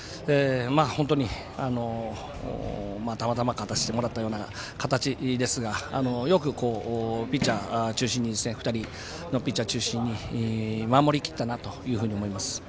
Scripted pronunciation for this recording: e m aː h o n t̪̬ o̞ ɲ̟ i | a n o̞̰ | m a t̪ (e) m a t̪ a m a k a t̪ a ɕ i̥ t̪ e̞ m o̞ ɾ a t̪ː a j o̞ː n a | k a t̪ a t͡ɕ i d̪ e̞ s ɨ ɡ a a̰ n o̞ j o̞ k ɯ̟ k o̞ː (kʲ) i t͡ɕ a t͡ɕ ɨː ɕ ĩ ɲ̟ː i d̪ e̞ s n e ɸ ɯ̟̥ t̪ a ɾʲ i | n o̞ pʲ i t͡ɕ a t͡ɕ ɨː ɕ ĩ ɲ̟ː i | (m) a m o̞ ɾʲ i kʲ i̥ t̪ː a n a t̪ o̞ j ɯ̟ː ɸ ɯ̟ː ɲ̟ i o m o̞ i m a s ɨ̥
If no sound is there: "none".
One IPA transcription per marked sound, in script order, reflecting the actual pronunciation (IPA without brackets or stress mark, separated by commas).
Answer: a, pʲ, m